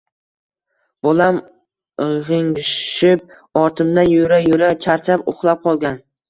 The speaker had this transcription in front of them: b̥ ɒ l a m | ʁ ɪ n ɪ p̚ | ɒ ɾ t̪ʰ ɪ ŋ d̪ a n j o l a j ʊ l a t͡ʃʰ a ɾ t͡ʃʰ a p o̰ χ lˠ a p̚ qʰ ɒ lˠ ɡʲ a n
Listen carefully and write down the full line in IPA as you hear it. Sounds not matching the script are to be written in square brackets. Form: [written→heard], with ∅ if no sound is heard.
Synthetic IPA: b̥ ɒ l a m | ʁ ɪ [n→ŋ] ɪ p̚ | ɒ ɾ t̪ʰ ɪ [ŋ→m] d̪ a n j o [l→ɾ] a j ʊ [l→ɾ] a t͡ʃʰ a ɾ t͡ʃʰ a p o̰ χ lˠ a p̚ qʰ ɒ lˠ ɡʲ a n